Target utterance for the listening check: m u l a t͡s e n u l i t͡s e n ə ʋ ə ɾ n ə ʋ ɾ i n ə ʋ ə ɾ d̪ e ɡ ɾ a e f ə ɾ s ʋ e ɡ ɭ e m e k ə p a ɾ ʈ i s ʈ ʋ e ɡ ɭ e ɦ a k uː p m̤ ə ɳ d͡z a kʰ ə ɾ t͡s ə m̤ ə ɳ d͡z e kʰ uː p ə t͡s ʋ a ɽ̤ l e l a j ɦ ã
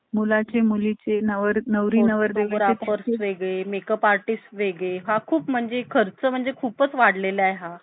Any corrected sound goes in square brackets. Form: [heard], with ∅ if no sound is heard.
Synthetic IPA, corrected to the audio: m u l a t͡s e [m] u l i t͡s e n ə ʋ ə ɾ n ə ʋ ɾ i n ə ʋ ə ɾ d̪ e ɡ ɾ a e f ə ɾ s ʋ e ɡ ɭ e m e k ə p a ɾ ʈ i s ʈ ʋ e ɡ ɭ e ɦ a [kʰ] uː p m̤ ə ɳ d͡z [e] kʰ ə ɾ t͡s ə m̤ ə ɳ d͡z e kʰ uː p ə t͡s ʋ a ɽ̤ l e l a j ɦ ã

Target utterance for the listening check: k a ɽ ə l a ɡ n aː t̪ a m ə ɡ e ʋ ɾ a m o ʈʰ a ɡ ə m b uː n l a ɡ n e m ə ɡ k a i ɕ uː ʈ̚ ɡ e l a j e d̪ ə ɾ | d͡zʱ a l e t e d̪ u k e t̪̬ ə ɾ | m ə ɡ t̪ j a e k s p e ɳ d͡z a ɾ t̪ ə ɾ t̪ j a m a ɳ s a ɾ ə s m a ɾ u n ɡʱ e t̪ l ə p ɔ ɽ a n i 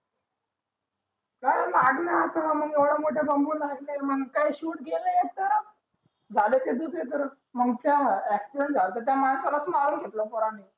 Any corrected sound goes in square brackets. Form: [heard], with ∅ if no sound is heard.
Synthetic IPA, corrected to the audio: k a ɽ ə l a ɡ n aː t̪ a m ə ɡ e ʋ [ɽ] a m o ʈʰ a [b] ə m b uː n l a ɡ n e m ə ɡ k a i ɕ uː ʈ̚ ɡ e l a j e [t̪] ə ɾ | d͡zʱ a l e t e d̪ u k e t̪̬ ə ɾ | m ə ɡ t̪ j a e k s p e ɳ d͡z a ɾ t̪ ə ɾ t̪ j a m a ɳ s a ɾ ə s m a ɾ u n ɡʱ e t̪ l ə p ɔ [ɾ] a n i

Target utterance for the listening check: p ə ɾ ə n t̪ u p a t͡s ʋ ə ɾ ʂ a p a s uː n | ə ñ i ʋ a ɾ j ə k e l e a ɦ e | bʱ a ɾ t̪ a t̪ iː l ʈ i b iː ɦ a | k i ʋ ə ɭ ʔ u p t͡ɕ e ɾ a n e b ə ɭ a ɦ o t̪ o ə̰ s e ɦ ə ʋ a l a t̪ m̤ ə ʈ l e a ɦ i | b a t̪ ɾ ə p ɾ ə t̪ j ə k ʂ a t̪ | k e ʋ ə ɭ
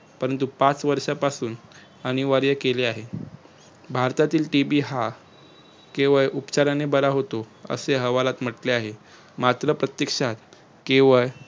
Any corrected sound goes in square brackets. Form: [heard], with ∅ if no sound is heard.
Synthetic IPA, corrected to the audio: p ə ɾ ə n t̪ u p a t͡s ʋ ə ɾ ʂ a p a s uː n | ə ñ i ʋ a ɾ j ə k e l e a ɦ e | bʱ a ɾ t̪ a t̪ iː l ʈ i b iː ɦ a | k [e] ʋ ə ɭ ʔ u p t͡ɕ [a] ɾ a n e b ə [ɾ] a ɦ o t̪ o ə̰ s e ɦ ə ʋ a l a t̪ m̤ ə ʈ l e a ɦ [e] | [m] a t̪ ɾ ə p ɾ ə t̪ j ə k ʂ a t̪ | k e ʋ ə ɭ

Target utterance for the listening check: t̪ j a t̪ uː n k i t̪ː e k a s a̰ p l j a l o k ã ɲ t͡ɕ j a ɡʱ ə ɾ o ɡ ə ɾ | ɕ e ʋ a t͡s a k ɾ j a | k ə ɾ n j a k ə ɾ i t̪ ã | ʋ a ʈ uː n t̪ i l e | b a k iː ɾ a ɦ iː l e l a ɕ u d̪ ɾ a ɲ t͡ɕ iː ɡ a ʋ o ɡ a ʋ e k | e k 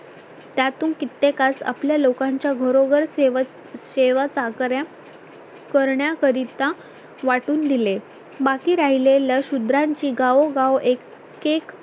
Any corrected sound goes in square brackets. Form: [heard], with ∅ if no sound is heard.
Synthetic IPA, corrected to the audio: t̪ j a t̪ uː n k i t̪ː e k a s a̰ p l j a l o k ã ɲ t͡ɕ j a ɡʱ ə ɾ o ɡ ə ɾ | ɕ e ʋ a t͡s a k ɾ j a | k ə ɾ [ɳ] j a k ə ɾ i t̪ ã | ʋ a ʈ uː n [d̪] i l e | b a k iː ɾ a ɦ [i] l e l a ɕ u d̪ ɾ a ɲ t͡ɕ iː ɡ a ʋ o ɡ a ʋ e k | e k

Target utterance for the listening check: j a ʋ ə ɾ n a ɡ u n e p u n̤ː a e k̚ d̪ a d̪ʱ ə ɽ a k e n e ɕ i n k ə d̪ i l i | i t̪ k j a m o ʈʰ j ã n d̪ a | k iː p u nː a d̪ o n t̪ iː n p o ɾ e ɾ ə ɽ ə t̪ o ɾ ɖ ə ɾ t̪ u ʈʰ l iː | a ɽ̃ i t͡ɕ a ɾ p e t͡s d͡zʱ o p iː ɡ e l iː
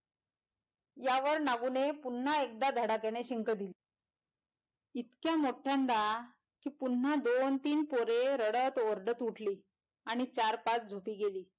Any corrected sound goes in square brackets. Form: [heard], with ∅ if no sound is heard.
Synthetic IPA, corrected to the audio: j a ʋ ə ɾ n a ɡ u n e p u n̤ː a e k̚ d̪ a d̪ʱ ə ɽ a k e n e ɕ i [ŋ] k ə d̪ i l i | i t̪ k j a m o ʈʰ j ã n d̪ a | k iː p u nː a d̪ o n t̪ iː n p o ɾ e ɾ ə ɽ ə t̪ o ɾ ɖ ə [∅] t̪ u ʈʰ l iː | a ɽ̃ i t͡ɕ a ɾ p [a] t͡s d͡zʱ o p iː ɡ e l iː

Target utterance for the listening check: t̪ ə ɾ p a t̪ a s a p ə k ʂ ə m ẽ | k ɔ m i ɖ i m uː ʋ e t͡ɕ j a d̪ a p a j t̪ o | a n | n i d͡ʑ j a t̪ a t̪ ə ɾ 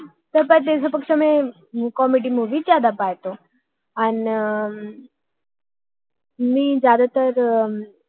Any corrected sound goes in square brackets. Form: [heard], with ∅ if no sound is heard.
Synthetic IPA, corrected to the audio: t̪ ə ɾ p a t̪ [e] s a p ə k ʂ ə m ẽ | k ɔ m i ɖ i m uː ʋ [i] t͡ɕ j a d̪ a p a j t̪ o | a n | [m] i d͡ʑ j a [d̪] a t̪ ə ɾ

